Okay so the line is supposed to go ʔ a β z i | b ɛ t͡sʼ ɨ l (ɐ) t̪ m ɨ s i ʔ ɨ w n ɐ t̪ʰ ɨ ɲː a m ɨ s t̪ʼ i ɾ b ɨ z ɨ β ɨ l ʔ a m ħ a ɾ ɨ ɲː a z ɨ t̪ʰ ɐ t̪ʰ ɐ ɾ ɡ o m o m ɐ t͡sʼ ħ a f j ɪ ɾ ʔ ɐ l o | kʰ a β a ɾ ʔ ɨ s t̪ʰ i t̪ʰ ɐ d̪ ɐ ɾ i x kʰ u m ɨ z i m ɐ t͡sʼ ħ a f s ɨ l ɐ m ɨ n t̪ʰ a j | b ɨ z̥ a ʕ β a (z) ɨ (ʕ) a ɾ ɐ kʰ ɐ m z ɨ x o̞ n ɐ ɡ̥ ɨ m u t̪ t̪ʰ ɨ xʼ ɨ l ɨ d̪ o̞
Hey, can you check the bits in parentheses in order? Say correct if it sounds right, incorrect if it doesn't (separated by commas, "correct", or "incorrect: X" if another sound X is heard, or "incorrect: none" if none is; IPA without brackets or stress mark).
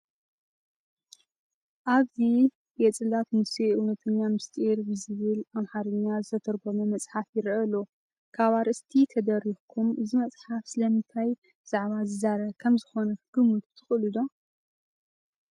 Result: incorrect: a, correct, incorrect: z